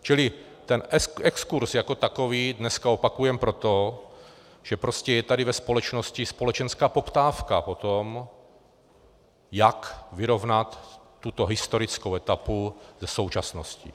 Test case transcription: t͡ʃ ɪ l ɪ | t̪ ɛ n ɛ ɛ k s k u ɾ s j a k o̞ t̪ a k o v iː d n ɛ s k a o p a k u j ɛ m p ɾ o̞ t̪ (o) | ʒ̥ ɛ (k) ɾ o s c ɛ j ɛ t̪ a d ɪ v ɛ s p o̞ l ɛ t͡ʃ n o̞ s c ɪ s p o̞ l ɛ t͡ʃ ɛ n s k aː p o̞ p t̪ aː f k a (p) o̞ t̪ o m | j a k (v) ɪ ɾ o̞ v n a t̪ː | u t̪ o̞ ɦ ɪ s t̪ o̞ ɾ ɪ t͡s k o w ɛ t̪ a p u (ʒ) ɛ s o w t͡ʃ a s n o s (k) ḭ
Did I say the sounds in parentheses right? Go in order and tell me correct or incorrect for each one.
correct, incorrect: p, correct, correct, incorrect: z, incorrect: c

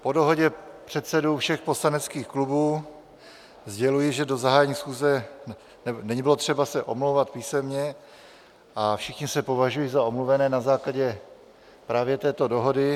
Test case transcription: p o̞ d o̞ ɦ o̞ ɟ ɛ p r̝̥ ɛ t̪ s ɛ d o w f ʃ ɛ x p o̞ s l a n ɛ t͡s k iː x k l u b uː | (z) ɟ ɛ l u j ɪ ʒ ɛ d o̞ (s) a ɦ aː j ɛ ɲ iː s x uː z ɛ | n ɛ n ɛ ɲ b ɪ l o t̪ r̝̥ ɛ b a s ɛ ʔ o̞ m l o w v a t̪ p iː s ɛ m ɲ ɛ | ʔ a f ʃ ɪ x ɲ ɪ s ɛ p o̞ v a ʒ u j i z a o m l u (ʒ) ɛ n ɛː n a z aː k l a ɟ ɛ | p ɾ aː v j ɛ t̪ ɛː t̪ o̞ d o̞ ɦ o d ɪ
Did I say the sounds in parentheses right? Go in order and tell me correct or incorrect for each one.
correct, incorrect: z, incorrect: v

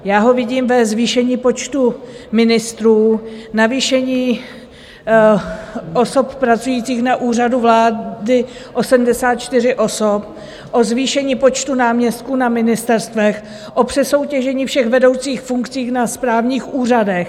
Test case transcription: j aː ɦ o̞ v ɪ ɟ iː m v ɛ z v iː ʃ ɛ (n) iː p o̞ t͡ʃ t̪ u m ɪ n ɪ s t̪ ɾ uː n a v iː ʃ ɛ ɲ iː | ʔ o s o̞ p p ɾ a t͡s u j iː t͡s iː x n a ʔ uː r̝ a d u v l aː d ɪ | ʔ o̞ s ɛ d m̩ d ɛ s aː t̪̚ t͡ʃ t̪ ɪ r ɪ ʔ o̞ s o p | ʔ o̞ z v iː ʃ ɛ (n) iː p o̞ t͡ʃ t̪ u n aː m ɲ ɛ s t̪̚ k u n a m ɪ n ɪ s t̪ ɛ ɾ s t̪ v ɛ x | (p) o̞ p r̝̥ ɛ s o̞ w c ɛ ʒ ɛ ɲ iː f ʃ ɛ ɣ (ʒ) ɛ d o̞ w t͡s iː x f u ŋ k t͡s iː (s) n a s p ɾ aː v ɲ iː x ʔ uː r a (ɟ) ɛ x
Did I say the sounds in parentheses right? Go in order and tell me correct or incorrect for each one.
incorrect: ɲ, incorrect: ɲ, incorrect: ʔ, incorrect: v, incorrect: x, incorrect: d

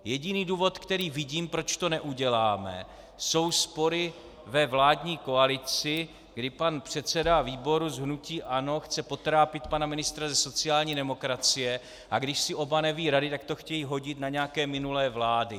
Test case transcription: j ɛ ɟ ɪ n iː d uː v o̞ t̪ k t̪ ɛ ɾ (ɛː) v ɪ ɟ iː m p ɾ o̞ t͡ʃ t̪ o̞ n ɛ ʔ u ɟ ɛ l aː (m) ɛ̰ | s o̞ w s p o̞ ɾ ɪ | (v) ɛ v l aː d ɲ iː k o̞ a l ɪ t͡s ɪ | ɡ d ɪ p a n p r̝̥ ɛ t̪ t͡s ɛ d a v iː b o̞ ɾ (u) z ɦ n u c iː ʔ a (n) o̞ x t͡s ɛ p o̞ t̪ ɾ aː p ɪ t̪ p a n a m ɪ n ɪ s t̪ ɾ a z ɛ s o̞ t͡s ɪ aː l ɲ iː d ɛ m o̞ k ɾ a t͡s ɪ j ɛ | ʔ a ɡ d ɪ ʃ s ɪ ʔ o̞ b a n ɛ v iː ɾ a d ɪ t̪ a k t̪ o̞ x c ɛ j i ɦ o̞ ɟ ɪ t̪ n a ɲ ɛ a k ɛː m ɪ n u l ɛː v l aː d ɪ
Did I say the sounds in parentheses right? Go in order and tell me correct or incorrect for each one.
incorrect: iː, correct, correct, correct, correct

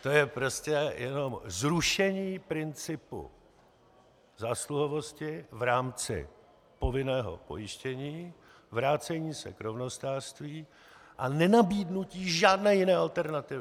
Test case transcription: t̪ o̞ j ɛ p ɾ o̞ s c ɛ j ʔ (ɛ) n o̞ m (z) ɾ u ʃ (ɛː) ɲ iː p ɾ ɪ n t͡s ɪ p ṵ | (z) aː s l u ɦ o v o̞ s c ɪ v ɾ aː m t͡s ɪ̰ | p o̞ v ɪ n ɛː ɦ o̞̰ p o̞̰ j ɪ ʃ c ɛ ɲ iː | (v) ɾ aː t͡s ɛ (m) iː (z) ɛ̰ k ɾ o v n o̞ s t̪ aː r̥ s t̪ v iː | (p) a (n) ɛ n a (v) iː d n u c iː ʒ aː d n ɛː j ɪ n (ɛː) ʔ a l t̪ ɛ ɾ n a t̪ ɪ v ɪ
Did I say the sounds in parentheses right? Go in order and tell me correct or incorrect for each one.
correct, correct, incorrect: ɛ, correct, correct, incorrect: ɲ, incorrect: s, incorrect: ʔ, correct, incorrect: b, correct

